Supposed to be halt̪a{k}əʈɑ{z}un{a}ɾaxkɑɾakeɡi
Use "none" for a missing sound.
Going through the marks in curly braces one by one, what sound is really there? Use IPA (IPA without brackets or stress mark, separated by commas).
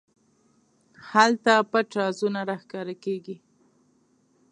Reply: p, z, a